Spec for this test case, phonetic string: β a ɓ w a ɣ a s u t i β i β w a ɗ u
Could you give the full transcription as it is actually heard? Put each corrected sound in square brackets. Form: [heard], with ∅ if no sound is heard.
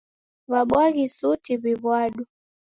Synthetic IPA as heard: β a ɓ w a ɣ [i] s u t i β i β w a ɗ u